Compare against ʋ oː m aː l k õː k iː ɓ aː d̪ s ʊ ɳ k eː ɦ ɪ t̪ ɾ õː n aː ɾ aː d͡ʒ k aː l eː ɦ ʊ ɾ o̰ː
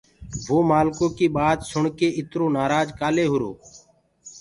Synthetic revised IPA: ʋ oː m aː l k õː k iː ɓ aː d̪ s ʊ ɳ k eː ɪ t̪ ɾ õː n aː ɾ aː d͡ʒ k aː l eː ɦ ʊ ɾ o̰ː